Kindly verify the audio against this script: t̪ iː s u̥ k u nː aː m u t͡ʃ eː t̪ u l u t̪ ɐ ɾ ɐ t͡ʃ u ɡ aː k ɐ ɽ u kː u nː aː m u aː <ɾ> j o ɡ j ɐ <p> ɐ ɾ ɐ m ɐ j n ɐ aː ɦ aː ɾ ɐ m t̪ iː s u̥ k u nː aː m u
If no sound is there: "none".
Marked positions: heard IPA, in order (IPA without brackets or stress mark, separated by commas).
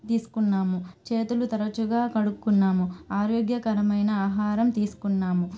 ɾ, k